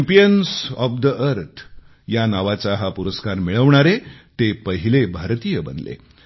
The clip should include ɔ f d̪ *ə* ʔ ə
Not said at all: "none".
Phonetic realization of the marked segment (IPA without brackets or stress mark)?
ə